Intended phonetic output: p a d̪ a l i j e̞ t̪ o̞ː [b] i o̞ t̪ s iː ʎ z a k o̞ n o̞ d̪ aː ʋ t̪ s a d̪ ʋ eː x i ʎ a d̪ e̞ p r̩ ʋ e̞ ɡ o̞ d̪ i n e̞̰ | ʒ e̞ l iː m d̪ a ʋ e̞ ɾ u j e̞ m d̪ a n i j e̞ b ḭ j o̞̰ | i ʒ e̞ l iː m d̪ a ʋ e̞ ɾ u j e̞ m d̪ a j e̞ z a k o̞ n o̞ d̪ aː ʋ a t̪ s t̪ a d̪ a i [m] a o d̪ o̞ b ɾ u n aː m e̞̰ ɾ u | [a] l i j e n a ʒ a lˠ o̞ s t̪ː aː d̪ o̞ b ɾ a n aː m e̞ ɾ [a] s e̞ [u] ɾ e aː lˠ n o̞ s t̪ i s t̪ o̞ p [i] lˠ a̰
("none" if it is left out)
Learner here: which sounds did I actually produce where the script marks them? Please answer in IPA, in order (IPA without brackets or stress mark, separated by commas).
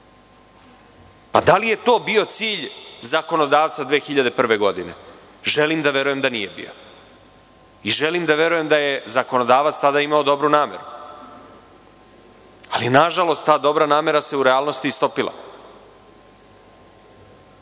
b, m, a, a, u, i